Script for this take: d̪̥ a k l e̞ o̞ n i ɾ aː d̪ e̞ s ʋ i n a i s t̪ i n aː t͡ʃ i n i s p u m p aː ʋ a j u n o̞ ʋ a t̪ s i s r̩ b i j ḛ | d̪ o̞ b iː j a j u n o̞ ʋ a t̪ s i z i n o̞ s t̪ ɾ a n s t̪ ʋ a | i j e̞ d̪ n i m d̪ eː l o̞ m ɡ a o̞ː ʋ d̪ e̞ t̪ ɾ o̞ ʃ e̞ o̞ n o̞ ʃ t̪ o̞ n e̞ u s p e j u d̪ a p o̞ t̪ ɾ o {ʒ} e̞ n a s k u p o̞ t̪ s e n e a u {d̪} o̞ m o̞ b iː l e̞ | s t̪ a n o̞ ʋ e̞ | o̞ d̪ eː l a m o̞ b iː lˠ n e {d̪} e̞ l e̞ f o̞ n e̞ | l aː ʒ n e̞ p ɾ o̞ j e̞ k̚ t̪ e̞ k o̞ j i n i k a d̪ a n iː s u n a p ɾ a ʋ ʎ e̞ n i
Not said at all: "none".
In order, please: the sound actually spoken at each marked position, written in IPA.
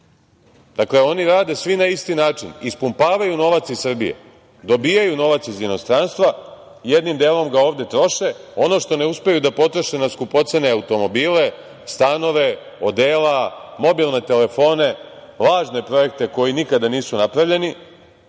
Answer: ʃ, t̪, t̪

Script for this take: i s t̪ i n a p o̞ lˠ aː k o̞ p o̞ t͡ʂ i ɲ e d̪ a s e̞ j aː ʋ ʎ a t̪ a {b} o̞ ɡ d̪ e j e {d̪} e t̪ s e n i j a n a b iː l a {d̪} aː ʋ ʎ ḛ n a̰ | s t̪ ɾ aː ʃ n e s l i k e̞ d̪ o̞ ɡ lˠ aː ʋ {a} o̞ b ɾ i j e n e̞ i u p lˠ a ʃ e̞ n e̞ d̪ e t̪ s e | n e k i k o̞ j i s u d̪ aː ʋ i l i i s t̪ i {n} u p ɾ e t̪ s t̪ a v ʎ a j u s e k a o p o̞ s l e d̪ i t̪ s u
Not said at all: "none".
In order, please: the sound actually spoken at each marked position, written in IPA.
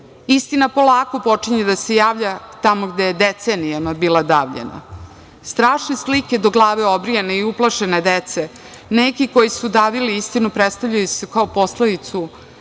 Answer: m, d̪, d̪, e, n

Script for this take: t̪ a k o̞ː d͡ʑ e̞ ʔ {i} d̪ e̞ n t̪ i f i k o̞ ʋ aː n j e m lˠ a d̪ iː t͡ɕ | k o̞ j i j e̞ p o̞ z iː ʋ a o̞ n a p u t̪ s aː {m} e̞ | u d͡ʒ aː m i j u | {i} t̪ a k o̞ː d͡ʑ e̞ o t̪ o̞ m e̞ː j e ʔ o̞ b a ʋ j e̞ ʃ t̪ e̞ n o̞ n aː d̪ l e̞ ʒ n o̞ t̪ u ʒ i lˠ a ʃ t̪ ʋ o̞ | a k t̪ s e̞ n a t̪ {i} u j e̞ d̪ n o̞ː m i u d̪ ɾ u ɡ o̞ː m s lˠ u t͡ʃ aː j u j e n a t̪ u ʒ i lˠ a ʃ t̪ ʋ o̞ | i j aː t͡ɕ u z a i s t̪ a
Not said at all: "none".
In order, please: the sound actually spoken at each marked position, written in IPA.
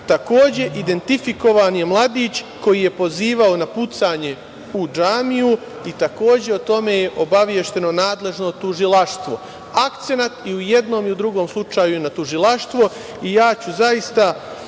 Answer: i, ɲ, i, i

